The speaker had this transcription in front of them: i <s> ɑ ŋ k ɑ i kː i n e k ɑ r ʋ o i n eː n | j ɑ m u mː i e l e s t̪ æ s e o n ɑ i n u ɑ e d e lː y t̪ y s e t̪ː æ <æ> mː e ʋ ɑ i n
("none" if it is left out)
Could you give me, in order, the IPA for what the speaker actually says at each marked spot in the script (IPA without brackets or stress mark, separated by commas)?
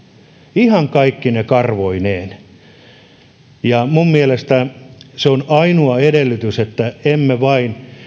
h, e